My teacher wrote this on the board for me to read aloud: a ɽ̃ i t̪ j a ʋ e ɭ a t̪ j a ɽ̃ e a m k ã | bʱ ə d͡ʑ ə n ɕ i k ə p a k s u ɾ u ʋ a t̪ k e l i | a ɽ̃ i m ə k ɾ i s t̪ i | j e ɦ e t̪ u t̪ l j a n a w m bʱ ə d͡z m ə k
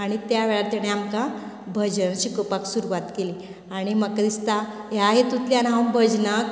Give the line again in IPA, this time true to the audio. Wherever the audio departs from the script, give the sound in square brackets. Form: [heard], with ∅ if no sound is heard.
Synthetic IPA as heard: a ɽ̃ i t̪ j a ʋ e ɭ a t̪ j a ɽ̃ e a m k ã | bʱ ə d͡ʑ ə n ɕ i k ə p a k s u ɾ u ʋ a t̪ k e l i | a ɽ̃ i m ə k ɾ i s t̪ [a] | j [a] ɦ e t̪ u t̪ l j a n a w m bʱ ə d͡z [n] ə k